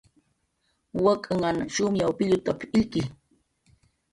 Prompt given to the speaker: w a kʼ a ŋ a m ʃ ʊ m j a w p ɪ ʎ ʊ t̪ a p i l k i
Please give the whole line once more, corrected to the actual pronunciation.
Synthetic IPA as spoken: w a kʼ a ŋ a n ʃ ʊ m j a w p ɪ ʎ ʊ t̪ a p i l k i